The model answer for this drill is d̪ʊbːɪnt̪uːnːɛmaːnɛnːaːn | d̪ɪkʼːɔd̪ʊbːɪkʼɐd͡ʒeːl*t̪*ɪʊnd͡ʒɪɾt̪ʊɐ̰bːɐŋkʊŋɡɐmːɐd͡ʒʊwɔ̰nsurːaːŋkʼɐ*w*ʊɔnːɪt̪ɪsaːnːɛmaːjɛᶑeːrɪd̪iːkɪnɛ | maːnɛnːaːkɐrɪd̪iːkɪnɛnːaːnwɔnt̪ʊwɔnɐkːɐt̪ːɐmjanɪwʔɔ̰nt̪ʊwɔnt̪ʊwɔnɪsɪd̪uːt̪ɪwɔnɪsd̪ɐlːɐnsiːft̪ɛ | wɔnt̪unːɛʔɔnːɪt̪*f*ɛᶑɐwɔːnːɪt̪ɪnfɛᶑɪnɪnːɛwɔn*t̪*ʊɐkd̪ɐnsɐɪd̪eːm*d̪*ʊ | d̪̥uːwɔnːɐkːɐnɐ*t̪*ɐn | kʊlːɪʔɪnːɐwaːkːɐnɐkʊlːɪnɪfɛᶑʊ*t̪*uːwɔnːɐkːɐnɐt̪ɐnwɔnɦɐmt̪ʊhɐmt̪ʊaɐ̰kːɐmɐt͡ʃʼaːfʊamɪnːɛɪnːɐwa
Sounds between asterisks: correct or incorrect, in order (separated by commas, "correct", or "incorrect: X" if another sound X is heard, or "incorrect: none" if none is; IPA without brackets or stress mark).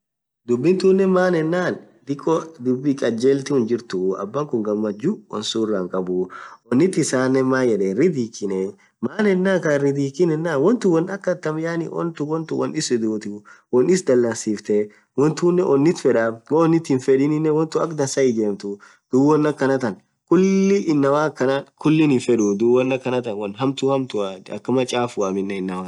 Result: correct, incorrect: b, correct, correct, incorrect: t̪, correct, incorrect: d̪